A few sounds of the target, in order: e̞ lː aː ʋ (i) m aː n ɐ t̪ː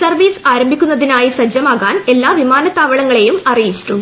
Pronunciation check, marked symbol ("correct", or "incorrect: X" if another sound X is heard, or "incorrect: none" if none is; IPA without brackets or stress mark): correct